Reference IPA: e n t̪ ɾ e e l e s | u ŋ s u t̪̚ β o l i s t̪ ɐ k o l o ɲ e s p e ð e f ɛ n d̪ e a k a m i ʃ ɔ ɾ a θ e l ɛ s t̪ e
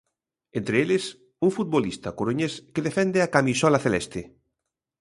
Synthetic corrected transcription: e n t̪ ɾ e e l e s | u ŋ f u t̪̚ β o l i s t̪ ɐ k o ɾ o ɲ e s k e ð e f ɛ n d̪ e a k a m i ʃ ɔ l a θ e l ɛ s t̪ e